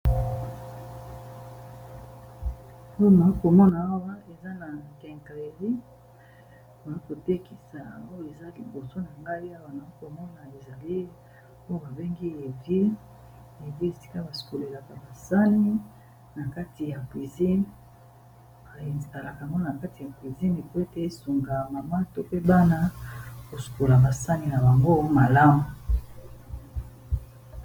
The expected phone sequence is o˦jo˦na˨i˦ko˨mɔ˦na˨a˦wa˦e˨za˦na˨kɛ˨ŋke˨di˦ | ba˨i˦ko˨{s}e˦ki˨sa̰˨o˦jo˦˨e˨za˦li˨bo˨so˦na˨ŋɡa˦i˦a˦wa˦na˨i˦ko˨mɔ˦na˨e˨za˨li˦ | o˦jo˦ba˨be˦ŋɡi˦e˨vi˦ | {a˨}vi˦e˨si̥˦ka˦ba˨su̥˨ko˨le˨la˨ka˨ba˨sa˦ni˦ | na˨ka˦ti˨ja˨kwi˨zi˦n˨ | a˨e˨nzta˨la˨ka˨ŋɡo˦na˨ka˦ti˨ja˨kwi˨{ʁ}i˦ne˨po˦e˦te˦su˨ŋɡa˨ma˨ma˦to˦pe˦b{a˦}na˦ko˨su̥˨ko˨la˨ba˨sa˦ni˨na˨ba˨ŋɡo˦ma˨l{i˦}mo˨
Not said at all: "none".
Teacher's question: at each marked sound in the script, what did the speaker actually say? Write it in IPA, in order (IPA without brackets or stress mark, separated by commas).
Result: t, e˨, z, a˦, a˦